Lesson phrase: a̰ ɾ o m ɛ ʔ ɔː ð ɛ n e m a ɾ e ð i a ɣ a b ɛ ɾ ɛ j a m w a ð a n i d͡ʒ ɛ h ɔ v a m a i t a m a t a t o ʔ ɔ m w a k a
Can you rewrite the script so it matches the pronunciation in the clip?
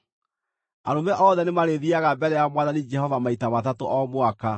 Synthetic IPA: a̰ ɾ o m ɛ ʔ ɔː ð ɛ n e m a ɾ e ð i a ɣ a b ɛ ɾ ɛ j a m w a ð a n i d͡ʒ ɛ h ɔ v a m a i t a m a t a t o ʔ ɔ m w a k a